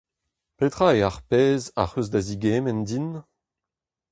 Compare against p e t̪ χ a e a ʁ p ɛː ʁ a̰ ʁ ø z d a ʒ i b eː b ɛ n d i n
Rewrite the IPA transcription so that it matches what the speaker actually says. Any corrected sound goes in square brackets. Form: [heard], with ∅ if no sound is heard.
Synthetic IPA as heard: p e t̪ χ a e a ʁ p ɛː [z] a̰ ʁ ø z d a [z] i [ɡ] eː [m] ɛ n d i n